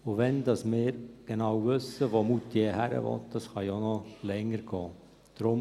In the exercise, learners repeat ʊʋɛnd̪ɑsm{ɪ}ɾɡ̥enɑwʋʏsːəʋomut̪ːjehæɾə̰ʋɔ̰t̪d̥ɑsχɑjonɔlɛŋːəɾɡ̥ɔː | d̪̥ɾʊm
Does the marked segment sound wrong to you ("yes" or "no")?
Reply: yes